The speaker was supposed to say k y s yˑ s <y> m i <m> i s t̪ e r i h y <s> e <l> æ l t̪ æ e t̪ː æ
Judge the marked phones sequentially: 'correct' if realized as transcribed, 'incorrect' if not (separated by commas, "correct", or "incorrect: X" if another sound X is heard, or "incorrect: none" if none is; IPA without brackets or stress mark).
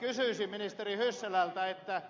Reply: incorrect: i, incorrect: n, incorrect: sː, correct